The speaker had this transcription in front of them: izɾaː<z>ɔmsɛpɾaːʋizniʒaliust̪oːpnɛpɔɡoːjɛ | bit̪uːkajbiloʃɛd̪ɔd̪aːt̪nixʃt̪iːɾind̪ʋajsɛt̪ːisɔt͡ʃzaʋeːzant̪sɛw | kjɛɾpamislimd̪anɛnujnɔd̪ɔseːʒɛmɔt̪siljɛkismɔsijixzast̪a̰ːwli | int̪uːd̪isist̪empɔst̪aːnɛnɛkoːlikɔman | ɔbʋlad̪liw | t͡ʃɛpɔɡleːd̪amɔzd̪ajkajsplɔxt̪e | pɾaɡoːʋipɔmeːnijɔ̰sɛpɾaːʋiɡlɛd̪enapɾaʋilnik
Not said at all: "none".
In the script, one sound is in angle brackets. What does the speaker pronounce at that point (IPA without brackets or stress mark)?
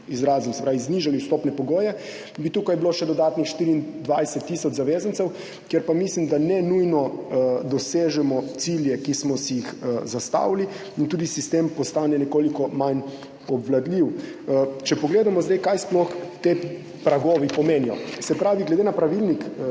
z